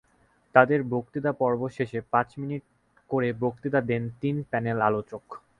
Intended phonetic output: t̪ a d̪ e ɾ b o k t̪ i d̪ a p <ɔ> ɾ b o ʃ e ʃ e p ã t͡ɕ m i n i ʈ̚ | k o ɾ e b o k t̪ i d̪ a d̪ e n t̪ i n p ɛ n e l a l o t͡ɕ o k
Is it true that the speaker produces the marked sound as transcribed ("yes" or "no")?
yes